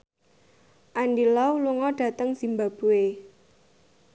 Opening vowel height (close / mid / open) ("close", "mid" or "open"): open